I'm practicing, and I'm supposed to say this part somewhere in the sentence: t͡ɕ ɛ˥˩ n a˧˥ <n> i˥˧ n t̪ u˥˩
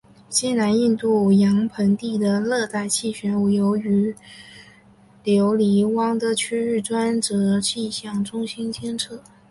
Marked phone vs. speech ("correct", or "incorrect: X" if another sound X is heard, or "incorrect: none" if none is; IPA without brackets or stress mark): correct